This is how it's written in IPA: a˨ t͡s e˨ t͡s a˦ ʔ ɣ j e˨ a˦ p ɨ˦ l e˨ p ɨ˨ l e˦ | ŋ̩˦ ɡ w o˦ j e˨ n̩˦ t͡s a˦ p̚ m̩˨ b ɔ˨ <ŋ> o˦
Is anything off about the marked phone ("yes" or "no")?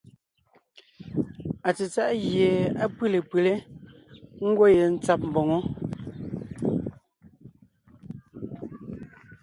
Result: no